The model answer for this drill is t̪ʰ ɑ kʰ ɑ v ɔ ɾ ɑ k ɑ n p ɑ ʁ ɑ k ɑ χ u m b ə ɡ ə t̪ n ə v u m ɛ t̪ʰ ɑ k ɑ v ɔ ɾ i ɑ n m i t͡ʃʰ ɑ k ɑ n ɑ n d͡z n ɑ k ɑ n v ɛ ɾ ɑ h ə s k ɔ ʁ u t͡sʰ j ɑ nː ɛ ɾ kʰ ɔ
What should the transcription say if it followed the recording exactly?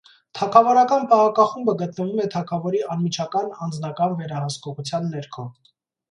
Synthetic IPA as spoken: t̪ʰ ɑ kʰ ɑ v ɔ ɾ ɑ k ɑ n p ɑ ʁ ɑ k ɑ χ u m b ə ɡ ə t̪ n ə v u m ɛ t̪ʰ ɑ kʰ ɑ v ɔ ɾ i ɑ n m i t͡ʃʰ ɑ k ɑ n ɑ n d͡z n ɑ k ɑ n v ɛ ɾ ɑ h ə s k ɔ ʁ u t͡sʰ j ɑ nː ɛ ɾ kʰ ɔ